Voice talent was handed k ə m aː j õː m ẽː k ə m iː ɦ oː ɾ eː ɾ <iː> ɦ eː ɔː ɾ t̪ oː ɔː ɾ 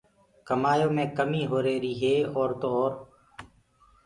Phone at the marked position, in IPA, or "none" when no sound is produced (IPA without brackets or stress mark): iː